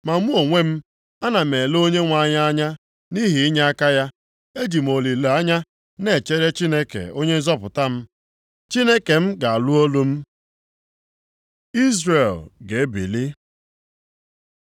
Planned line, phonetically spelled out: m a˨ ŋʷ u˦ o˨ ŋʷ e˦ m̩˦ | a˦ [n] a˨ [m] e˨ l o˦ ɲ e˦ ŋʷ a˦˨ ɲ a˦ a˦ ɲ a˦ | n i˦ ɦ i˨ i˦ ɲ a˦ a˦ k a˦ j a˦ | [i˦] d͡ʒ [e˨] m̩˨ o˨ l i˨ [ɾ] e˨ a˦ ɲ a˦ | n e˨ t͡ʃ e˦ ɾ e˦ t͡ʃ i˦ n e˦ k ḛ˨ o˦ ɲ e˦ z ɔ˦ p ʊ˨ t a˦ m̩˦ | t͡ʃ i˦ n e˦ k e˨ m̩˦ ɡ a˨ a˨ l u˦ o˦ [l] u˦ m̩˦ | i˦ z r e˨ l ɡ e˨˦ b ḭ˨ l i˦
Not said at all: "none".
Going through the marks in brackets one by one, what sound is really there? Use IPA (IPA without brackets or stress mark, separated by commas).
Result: n, m, e˦, i˨, l, l